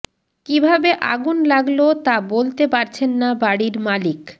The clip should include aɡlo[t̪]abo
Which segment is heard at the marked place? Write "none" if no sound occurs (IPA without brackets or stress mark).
t̪